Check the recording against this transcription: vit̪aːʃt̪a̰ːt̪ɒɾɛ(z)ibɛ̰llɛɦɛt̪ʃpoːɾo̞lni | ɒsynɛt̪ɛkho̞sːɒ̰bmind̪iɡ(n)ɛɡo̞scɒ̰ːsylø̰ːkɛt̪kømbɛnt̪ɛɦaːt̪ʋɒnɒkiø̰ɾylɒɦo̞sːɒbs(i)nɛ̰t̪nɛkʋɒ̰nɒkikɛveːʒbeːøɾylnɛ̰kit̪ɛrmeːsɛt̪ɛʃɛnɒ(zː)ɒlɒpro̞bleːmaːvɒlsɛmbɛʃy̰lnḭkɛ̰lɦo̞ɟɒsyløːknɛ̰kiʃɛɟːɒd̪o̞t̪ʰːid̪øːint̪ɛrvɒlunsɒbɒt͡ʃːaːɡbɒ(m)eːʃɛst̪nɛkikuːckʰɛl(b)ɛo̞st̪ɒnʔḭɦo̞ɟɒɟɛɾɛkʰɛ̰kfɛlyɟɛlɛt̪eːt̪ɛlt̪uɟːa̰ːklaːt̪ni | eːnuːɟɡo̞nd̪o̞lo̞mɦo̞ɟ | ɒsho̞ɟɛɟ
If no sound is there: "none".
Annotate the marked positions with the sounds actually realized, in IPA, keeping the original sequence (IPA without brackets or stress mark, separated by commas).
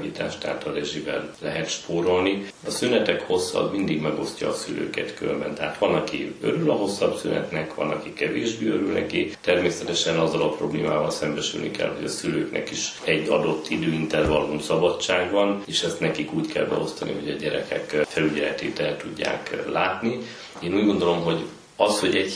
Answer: ʒ, m, y, zː, n, b